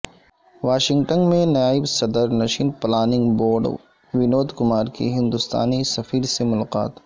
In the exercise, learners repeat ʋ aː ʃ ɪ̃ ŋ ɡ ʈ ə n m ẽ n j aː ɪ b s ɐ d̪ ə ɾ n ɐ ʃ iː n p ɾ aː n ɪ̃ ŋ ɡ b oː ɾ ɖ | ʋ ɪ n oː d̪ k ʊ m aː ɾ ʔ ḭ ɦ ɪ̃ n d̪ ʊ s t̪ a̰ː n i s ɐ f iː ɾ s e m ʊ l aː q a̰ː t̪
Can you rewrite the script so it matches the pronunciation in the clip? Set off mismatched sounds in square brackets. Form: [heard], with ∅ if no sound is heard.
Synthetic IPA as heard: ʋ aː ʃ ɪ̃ ŋ ɡ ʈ ə n m ẽ n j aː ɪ b s ɐ d̪ ə ɾ n ɐ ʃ iː n p [l] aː n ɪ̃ ŋ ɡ b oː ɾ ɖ | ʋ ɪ n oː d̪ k ʊ m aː ɾ [k] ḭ ɦ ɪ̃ n d̪ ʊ s t̪ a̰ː n i s ɐ f iː ɾ s e m ʊ l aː q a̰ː t̪